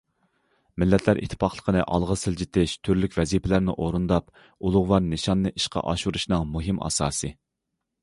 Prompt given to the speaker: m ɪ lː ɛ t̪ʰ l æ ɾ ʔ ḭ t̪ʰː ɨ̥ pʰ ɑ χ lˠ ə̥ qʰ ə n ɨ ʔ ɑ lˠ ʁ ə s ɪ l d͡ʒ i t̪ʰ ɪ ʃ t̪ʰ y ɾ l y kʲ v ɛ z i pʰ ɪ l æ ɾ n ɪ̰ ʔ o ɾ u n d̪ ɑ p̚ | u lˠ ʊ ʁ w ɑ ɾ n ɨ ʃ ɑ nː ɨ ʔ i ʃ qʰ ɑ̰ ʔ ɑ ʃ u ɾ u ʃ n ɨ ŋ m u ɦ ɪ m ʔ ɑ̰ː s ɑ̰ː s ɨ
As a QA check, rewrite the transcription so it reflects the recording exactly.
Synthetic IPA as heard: m ɪ lː ɛ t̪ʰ l æ ɾ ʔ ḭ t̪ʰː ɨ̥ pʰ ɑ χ lˠ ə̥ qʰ ə n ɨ ʔ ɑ lˠ ʁ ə s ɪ l d͡ʒ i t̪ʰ ɪ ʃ t̪ʰ y ɾ l y kʲ v ɛ z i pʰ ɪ l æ ɾ n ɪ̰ ʔ o ɾ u n d̪ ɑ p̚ | u lˠ ʊ ʁ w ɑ ɾ n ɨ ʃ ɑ nː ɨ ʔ i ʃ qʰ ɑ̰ ʔ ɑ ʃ u ɾ u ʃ n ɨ ŋ m u ɦ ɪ m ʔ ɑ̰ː s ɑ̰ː s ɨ

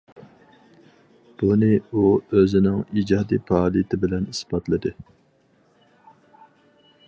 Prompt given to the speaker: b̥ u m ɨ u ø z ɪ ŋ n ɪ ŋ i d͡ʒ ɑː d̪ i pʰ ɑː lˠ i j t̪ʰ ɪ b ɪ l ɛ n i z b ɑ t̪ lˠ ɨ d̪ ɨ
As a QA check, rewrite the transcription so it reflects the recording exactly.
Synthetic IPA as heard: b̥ u n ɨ u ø z ɪ n ɪ ŋ i d͡ʒ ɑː d̪ i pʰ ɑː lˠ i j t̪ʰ ɪ b ɪ l ɛ n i s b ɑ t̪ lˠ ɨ d̪ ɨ

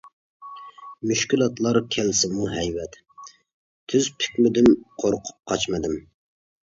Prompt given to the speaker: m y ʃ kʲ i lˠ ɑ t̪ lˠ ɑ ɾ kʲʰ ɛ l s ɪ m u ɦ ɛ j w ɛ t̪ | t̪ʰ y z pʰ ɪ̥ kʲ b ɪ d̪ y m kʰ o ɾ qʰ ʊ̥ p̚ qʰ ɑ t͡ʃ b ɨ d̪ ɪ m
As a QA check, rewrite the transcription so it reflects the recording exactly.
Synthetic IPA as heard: m y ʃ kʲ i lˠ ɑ t̪ lˠ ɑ ɾ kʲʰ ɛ l s ɪ m u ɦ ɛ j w ɛ t̪ | t̪ʰ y z pʰ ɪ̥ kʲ m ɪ d̪ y m qʰ o ɾ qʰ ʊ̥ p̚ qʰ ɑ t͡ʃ m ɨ d̪ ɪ m

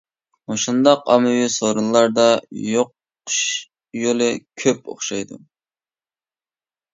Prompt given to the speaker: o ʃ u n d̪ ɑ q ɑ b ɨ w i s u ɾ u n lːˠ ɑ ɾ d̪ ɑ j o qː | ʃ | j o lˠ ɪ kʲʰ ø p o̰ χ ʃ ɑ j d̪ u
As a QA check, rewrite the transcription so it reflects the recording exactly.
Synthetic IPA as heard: o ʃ u n d̪ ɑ q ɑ m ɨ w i s o ɾ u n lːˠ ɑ ɾ d̪ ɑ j o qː | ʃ | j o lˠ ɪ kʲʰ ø p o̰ χ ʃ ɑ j d̪ u

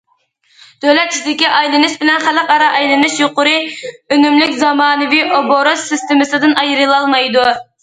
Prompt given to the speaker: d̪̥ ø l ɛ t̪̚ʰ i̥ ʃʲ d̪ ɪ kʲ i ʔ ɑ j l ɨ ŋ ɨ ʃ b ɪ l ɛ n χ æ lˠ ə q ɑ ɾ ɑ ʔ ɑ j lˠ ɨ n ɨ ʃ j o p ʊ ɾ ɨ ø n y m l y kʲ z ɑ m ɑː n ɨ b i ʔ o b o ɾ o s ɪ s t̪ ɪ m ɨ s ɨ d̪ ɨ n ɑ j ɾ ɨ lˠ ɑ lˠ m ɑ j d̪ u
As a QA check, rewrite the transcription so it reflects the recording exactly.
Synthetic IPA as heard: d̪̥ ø l ɛ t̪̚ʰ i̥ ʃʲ d̪ ɪ kʲ i ʔ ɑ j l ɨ n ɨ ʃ b ɪ l ɛ n χ æ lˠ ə q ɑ ɾ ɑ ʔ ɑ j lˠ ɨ n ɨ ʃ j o q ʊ ɾ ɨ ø n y m l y kʲ z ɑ m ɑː n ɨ v i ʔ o b o ɾ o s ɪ s t̪ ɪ m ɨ s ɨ d̪ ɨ n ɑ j ɾ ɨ lˠ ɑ lˠ m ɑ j d̪ u

